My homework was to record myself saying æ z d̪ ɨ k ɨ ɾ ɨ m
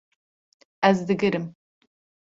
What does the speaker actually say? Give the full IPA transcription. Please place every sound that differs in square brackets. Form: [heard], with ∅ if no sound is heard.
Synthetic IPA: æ z d̪ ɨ [ɡ] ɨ ɾ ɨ m